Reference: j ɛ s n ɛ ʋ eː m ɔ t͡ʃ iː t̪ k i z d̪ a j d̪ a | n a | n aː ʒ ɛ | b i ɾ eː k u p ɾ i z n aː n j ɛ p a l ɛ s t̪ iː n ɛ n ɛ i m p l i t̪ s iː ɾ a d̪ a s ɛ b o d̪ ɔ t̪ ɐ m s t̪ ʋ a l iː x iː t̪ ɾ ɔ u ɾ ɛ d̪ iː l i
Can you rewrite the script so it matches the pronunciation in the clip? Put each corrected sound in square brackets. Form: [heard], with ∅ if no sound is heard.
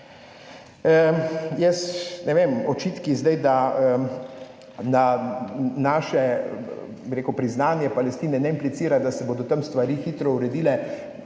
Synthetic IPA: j ɛ s n ɛ ʋ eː m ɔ t͡ʃ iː t̪ k i z d̪ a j d̪ a | n a | n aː [ʃ] ɛ | b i ɾ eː k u p ɾ i z n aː n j ɛ p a l ɛ s t̪ iː n ɛ n ɛ i m p l i t̪ s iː ɾ a d̪ a s ɛ b o d̪ ɔ t̪ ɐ m s t̪ ʋ a [ɾ] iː x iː t̪ ɾ ɔ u ɾ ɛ d̪ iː l [ɛ]